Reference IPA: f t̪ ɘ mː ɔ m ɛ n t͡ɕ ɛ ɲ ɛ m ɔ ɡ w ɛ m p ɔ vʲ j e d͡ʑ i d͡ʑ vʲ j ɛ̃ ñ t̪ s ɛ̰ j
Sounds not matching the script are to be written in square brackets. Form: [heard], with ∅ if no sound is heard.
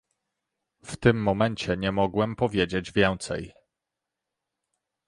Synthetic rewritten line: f t̪ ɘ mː ɔ m ɛ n t͡ɕ ɛ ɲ ɛ m ɔ ɡ w ɛ m p ɔ vʲ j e d͡ʑ [e] d͡ʑ vʲ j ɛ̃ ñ t̪ s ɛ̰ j